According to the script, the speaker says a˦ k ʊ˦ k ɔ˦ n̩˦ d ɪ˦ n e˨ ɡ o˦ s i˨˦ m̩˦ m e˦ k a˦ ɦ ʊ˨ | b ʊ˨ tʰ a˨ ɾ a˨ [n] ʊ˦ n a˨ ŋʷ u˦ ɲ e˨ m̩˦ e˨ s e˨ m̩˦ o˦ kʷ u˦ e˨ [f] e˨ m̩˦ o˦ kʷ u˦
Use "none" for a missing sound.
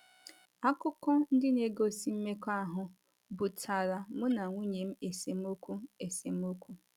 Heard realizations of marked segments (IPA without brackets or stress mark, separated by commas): m, s